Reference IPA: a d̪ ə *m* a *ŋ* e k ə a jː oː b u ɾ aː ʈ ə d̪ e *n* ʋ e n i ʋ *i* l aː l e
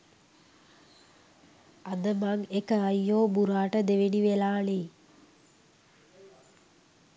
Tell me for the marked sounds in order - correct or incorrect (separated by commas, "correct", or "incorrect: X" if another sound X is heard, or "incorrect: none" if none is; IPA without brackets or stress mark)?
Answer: correct, correct, incorrect: none, incorrect: e